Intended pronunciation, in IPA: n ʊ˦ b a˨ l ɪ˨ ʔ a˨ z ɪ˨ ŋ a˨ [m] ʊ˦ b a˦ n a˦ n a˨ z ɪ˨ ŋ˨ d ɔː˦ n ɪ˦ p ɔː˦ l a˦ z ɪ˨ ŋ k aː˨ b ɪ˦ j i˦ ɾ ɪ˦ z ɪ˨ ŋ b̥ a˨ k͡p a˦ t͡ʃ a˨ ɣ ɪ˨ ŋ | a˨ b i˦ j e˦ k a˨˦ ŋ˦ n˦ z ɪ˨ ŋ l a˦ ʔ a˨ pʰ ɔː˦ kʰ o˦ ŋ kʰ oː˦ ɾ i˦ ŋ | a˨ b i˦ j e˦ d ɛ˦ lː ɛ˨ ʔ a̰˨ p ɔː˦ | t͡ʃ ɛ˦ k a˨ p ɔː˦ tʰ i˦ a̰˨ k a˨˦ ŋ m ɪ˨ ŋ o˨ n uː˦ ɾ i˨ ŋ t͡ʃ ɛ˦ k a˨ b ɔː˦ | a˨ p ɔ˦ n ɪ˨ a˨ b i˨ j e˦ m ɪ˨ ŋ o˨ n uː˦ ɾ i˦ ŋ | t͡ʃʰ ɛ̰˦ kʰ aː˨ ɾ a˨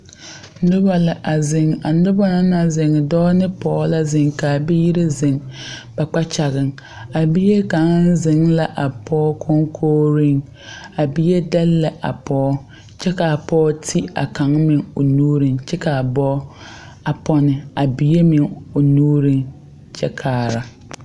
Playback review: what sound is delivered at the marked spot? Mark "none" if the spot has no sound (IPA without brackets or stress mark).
n